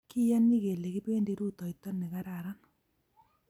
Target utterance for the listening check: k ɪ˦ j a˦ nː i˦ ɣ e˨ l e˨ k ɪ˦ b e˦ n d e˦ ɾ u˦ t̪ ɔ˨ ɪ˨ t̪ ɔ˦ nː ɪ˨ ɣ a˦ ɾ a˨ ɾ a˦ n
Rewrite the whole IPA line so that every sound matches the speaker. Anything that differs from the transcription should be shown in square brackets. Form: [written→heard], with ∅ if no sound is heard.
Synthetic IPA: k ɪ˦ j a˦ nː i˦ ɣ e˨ l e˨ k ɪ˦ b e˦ n d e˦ ɾ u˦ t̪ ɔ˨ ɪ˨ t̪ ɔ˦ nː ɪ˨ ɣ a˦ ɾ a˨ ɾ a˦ n